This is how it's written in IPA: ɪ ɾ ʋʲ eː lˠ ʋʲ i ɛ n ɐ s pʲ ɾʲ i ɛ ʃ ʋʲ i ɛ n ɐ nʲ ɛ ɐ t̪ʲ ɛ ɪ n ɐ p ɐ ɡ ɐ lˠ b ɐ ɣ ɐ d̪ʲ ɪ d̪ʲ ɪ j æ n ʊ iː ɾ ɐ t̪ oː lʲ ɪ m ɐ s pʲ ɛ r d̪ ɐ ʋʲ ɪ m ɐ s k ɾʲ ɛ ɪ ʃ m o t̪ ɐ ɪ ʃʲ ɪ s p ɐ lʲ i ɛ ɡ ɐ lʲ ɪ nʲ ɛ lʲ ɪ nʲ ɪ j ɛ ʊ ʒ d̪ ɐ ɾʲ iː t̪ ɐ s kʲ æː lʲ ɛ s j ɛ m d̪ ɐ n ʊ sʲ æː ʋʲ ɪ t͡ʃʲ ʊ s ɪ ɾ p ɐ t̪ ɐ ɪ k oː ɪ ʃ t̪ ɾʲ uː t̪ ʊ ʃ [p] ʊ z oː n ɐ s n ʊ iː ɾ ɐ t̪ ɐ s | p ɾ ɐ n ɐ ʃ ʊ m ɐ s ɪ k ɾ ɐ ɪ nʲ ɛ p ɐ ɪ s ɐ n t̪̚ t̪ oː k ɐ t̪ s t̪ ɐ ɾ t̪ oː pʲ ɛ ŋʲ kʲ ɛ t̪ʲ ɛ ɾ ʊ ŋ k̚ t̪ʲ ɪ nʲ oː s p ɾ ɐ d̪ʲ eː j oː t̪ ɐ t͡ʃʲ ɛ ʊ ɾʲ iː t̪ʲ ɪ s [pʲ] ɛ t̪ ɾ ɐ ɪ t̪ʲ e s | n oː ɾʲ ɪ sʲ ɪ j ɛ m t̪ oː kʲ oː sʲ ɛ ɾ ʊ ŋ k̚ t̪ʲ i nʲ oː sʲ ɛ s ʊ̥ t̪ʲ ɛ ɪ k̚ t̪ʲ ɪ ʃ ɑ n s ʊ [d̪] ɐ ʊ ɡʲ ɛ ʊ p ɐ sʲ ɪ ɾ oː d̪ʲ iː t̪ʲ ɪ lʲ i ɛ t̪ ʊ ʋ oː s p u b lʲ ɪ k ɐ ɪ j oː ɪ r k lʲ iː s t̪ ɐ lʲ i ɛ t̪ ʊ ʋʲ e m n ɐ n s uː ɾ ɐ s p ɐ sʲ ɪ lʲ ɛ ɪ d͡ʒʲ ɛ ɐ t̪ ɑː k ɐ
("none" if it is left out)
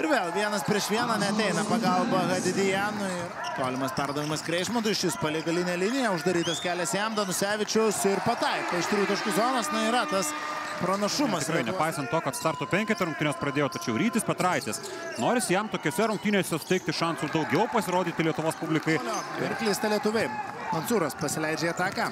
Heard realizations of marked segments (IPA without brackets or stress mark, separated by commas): k, pʲ, d̪